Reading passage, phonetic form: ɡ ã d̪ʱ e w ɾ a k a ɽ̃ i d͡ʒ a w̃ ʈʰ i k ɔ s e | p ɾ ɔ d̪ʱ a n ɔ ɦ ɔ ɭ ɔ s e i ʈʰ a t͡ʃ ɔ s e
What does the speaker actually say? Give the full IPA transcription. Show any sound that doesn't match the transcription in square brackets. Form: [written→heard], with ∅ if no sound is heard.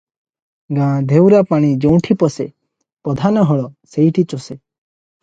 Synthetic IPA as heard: ɡ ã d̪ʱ e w ɾ a [k→p] a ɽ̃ i d͡ʒ [a→e] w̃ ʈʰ i [k→p] ɔ s e | p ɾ ɔ d̪ʱ a n ɔ ɦ ɔ ɭ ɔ s e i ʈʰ [a→i] t͡ʃ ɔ s e